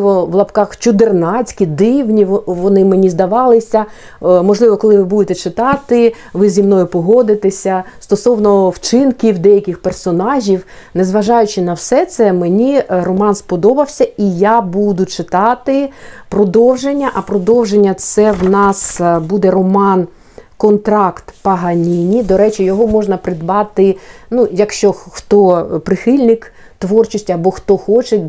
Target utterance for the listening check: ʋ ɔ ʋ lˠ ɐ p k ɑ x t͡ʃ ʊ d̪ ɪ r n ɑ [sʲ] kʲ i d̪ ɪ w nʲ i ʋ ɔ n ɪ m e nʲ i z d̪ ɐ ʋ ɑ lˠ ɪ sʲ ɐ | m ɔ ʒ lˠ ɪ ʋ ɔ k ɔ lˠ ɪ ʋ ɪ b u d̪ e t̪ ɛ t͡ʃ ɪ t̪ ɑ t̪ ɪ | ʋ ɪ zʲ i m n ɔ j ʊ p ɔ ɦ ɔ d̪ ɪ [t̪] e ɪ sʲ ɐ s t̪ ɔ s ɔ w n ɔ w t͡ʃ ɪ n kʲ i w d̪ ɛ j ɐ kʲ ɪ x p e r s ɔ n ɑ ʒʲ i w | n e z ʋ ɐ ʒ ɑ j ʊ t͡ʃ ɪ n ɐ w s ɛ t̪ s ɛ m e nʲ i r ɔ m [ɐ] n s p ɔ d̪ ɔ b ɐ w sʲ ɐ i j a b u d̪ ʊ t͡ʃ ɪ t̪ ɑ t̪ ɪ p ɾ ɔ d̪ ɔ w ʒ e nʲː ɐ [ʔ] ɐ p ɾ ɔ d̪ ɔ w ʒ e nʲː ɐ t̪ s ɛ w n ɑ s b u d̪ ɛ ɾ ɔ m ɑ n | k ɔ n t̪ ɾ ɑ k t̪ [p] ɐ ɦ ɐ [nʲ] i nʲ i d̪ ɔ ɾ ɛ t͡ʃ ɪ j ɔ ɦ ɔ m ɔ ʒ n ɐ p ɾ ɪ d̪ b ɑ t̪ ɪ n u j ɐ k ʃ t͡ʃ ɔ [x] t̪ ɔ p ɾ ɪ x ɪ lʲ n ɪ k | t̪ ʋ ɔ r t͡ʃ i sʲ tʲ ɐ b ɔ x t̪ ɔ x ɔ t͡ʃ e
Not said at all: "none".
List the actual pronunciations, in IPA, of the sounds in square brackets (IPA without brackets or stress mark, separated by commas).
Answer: t͡sʲ, t̪, ɑ, ʔ, p, nʲ, x